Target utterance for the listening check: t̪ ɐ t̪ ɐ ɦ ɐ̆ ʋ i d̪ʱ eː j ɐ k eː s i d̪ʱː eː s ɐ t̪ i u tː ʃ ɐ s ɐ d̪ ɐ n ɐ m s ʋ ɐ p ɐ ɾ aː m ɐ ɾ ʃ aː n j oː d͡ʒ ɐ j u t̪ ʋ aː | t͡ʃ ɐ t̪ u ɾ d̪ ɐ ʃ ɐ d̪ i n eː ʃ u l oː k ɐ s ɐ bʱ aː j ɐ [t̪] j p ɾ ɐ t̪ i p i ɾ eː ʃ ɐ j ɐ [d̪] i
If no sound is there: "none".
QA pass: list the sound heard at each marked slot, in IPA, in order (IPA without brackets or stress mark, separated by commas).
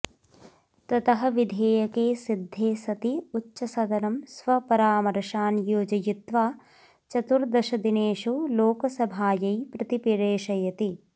none, t̪